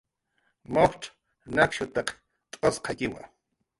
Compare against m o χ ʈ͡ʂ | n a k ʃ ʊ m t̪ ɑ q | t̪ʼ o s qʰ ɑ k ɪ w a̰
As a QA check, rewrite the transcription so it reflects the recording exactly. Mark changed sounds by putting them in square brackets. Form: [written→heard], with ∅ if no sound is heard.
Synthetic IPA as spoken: m o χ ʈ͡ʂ | n a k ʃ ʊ [m→∅] t̪ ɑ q | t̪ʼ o s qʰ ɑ k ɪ w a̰

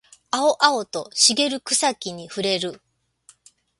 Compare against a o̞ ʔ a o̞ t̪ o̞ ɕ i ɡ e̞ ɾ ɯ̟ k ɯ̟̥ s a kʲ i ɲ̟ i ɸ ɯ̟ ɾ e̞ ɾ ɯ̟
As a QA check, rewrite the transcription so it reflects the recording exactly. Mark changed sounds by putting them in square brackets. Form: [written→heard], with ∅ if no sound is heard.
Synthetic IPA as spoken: a o̞ ʔ a o̞ t̪ o̞ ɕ i ɡ e̞ ɾ ɯ̟ k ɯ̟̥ s a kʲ i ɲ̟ i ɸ ɯ̟ ɾ e̞ ɾ ɯ̟

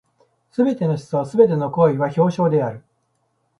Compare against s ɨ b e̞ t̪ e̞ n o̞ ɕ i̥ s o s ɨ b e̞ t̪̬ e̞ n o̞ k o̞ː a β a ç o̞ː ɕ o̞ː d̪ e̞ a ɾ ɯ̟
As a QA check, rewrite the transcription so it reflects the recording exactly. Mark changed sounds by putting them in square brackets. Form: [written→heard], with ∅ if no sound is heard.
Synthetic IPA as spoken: s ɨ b e̞ t̪ e̞ n o̞ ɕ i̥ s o s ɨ b e̞ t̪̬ e̞ n o̞ k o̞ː [a→i] β a ç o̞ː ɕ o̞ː d̪ e̞ a ɾ ɯ̟

